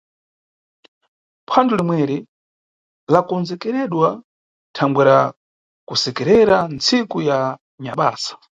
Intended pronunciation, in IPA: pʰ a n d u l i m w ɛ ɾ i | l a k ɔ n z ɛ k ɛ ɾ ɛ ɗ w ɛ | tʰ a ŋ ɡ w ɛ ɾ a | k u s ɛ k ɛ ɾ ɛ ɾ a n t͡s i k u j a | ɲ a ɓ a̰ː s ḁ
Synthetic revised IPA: pʰ a n d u l i m w ɛ ɾ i | l a k ɔ n z ɛ k ɛ ɾ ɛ ɗ w a | tʰ a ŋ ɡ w ɛ ɾ a | k u s ɛ k ɛ ɾ ɛ ɾ a n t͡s i k u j a | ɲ a ɓ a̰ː s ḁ